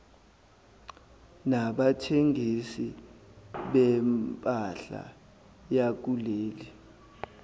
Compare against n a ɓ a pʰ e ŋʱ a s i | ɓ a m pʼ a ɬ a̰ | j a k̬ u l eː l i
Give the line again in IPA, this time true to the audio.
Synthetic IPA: n a ɓ a tʰ e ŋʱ i s i | ɓ ɛ m pʼ a ɬ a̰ | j a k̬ u l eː l i